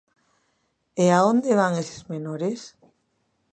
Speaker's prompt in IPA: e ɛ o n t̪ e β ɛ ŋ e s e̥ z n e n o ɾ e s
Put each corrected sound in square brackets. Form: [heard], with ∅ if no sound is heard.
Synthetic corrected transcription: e [a] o n [d̪] e β [a] ŋ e s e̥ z [m] e n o ɾ e s

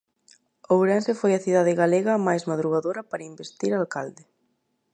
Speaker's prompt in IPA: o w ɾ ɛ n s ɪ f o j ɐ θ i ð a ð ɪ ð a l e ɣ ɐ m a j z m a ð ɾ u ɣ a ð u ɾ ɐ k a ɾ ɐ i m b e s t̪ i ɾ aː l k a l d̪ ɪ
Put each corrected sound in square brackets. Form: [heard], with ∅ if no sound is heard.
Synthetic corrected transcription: o w ɾ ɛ n s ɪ f o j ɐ θ i ð a ð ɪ [ɣ] a l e ɣ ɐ m a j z m a ð ɾ u ɣ a ð [o] ɾ ɐ [p] a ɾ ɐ i m b e s t̪ i ɾ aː l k a l d̪ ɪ

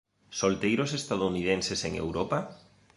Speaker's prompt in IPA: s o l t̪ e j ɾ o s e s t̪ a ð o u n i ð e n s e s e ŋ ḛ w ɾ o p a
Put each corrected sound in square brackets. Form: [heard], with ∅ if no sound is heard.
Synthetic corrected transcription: s o l t̪ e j ɾ o s e s t̪ a ð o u n i ð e n s e s e ŋ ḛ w ɾ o p a

